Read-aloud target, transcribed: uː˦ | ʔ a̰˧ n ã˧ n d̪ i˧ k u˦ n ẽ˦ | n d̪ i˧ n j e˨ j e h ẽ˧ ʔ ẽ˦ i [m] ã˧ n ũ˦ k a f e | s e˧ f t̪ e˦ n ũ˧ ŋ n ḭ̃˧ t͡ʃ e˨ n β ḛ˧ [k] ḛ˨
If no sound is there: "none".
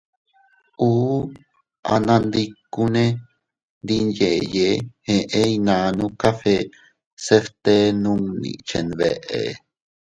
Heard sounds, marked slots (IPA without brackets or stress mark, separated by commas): n, ʔ